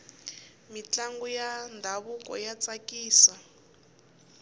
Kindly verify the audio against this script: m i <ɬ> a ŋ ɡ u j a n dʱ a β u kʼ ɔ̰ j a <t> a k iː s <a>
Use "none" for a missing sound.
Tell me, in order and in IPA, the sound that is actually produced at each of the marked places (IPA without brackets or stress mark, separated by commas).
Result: t͡ɬ, t͡s, a